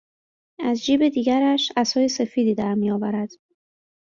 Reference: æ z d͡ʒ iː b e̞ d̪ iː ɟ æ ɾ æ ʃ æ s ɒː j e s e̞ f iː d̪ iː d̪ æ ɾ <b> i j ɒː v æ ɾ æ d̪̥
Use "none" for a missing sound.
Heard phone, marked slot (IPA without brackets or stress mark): m